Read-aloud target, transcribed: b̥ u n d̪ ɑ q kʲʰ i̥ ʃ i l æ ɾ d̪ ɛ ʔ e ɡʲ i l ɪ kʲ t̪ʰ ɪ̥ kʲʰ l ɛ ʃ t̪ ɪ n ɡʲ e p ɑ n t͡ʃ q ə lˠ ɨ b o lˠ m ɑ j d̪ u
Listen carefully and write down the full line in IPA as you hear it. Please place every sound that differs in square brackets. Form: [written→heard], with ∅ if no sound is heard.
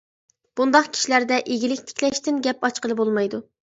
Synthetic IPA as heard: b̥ u n d̪ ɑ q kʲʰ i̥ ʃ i l æ ɾ d̪ ɛ ʔ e ɡʲ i l ɪ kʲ t̪ʰ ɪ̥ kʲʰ l ɛ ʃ t̪ ɪ n ɡʲ [e→ɛ] p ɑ [n→∅] t͡ʃ q ə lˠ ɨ b o lˠ m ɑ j d̪ u

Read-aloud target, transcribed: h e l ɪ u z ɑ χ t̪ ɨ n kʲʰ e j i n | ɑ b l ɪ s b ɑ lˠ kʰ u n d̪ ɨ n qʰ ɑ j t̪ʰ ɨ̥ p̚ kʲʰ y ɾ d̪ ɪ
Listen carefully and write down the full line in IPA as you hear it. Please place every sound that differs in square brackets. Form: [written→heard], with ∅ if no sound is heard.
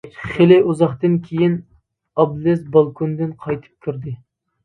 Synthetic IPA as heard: [h→χ] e l ɪ u z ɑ χ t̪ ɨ n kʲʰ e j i n | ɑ b l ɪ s b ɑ lˠ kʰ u n d̪ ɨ n qʰ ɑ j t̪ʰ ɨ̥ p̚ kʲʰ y ɾ d̪ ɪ

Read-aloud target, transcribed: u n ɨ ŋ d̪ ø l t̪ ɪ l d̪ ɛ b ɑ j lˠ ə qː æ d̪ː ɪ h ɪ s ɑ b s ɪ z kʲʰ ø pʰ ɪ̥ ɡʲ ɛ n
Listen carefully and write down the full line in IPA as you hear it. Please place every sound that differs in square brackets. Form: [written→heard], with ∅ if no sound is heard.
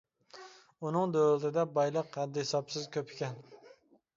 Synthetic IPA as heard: u n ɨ ŋ d̪ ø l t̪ ɪ [l→∅] d̪ ɛ b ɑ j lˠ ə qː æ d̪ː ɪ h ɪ s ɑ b s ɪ z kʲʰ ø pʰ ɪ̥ [ɡʲ→kʲ] ɛ n

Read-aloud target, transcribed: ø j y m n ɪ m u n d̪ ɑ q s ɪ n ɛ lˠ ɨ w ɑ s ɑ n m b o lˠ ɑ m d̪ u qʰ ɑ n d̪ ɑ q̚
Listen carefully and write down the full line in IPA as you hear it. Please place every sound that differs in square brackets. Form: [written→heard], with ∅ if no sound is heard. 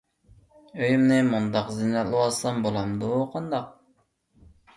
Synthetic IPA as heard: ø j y m n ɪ m u n d̪ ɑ q [s→z] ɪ n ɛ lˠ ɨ w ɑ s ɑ [n→∅] m b o lˠ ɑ m d̪ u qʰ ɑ n d̪ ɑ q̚

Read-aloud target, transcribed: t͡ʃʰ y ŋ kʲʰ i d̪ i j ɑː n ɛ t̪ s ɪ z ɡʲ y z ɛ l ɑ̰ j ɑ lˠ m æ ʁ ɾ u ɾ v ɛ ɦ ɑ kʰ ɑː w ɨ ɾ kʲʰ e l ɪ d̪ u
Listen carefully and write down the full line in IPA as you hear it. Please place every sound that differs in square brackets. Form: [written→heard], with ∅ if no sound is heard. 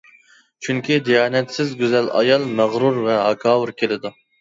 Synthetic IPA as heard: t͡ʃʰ y ŋ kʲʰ i d̪ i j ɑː n ɛ t̪ s ɪ z ɡʲ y z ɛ l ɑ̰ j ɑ lˠ m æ ʁ ɾ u ɾ v ɛ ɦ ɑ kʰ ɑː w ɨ ɾ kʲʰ e l ɪ d̪ u

